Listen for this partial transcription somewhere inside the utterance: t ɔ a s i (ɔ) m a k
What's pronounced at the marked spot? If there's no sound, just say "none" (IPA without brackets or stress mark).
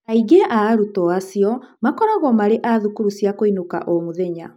ɔ